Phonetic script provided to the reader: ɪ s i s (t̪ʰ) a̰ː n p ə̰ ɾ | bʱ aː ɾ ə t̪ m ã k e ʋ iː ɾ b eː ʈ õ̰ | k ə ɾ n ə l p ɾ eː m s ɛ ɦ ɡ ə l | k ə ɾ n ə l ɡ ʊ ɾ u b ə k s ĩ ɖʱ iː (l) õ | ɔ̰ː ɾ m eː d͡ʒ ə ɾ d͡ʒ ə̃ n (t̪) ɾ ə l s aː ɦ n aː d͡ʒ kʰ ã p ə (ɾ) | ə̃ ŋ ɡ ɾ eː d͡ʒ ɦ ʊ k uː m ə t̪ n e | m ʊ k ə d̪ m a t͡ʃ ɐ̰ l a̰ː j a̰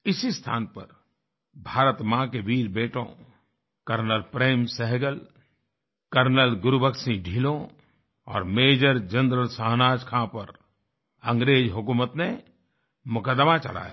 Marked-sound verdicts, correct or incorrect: correct, correct, incorrect: d̪, correct

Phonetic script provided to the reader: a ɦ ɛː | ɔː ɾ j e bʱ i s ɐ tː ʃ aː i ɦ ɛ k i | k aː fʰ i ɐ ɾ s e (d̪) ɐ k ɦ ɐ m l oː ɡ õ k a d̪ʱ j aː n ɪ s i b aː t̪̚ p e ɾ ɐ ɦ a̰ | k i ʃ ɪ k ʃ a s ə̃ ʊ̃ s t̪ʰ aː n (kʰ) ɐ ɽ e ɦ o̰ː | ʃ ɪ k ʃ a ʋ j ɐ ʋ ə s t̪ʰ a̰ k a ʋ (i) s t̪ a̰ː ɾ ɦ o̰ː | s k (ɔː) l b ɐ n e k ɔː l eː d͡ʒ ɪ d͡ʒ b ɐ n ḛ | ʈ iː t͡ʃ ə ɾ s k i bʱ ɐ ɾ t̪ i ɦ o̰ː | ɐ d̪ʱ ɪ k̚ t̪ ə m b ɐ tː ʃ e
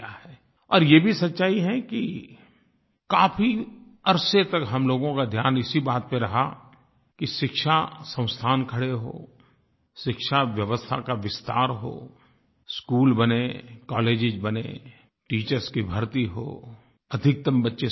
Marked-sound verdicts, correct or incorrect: incorrect: t̪, correct, incorrect: ɪ, incorrect: uː

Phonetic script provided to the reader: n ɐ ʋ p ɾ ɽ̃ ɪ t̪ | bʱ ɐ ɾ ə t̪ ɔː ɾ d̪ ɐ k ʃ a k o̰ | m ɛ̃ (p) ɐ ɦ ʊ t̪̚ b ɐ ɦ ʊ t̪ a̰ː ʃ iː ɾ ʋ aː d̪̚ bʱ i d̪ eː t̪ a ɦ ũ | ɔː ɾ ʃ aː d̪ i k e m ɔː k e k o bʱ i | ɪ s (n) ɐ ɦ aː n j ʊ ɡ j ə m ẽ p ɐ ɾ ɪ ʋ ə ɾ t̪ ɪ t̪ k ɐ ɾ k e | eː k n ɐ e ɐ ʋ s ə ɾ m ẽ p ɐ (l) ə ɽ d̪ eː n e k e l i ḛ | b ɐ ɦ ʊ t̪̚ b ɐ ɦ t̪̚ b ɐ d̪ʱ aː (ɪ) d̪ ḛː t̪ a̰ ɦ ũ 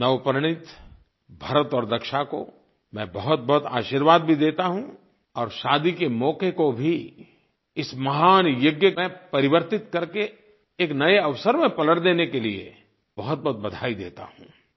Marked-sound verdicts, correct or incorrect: incorrect: b, incorrect: m, correct, incorrect: i

